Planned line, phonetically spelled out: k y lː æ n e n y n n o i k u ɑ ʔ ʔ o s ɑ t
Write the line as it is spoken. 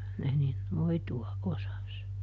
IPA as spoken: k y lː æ n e n i n n o i t u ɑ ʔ ʔ o s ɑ s

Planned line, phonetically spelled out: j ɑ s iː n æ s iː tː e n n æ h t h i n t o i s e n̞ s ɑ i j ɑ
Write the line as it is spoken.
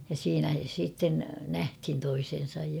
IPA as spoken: j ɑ s iː n æ s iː tː e n n æ h t h i n t o i s e n̞ s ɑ j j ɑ

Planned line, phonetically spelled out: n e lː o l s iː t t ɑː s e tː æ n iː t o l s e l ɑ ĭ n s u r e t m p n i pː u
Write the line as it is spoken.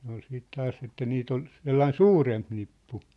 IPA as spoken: n e o l s iː t t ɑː s e tː æ n iː t o l s e lː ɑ ĭ n s uː r e m p n i pː u

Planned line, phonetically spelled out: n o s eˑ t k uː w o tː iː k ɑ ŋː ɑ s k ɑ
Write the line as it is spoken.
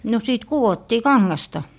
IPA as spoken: n o s iˑ t k u w o tː iː k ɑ ŋː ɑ s t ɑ

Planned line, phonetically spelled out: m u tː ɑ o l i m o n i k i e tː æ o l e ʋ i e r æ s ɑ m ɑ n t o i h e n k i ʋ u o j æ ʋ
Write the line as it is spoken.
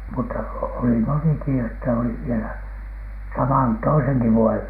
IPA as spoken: m u tː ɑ o l i m o n i k i e tː æ o l i ʋ i e l æ s ɑ m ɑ n t o i s e ŋ k i ʋ u o j e ʋ

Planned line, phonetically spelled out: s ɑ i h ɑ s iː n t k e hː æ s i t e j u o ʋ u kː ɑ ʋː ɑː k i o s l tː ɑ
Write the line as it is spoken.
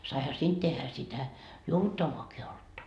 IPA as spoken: s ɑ i h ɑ s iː n t t e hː æ s i t æ j u o ʋ u tː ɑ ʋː ɑː k i o l tː ɑ

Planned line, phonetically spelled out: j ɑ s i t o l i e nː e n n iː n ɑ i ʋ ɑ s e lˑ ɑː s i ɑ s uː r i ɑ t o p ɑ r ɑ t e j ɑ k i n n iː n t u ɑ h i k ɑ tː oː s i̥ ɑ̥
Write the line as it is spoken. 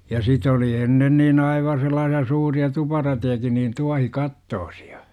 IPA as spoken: j ɑ s i t o l i e nː e n n iː n ɑ i ʋ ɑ s e lˑ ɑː s i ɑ s uː r i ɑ t u p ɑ r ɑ t e j ɑ k i n n iː n t u ɑ h i k ɑ tː oː s i̥ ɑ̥

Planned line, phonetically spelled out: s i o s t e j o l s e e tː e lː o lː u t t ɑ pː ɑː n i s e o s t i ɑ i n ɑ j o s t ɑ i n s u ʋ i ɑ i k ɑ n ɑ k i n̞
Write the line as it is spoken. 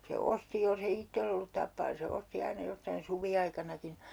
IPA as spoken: s e o s t i j o l s e i tː e lː o lː u t t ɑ pː ɑː n i s e o s t i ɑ i n ɑ j o s t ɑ i n s u ʋ i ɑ i k ɑ n ɑ k i n̞

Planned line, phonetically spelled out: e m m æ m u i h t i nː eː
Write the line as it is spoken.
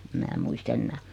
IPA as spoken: e m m æː m u i s t e nː æː

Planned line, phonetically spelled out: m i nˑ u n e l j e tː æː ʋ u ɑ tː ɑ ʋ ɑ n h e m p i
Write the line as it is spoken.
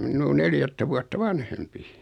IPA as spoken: m i nˑ uː n e l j æ tː æ ʋ u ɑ tː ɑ ʋ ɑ n h e m p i

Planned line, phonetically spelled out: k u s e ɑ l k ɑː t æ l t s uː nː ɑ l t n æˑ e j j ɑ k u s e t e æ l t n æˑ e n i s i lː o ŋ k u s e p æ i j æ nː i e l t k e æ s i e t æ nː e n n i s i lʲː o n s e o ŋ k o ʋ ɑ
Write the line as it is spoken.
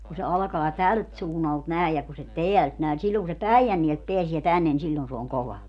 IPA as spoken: k u s e ɑ l k ɑː t æ l t s uː nː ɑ l t n æˑ e j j ɑ k u s e t e æ l t n æˑ e n i s i lː o ŋ k u s e p æ i j æ nː i e l t p e æ s i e t æ nː e n n i s i lʲː o n s e o ŋ k o ʋ ɑ

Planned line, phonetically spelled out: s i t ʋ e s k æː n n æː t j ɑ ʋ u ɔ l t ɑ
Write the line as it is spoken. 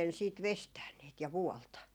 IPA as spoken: s iː t ʋ e s t æː n n iː t j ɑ ʋ u ɔ l t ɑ

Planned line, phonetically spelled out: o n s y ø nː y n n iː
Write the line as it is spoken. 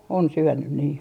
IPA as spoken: o n s y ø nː y n n iː

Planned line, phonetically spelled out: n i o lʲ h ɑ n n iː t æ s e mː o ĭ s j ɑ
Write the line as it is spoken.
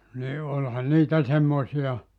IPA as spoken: n i o lʲ h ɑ n n iː t æ s e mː o ĭ s i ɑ

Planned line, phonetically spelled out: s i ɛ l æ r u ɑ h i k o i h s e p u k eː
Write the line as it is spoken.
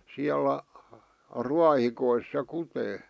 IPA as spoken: s i æ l æ r u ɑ h i k o i s s e k u t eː

